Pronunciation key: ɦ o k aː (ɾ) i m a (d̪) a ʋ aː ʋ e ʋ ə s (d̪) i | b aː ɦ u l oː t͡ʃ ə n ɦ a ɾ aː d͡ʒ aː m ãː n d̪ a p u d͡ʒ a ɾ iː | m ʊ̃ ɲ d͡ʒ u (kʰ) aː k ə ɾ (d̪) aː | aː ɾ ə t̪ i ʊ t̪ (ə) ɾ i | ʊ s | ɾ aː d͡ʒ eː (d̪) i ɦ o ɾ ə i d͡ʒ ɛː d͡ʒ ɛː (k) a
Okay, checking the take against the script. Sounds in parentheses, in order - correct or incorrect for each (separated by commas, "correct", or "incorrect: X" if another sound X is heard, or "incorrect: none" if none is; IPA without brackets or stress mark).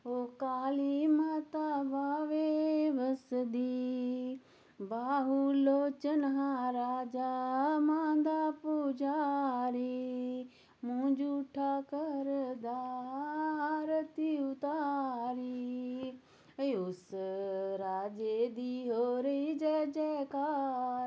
incorrect: l, incorrect: t̪, correct, incorrect: ʈʰ, correct, incorrect: a, correct, correct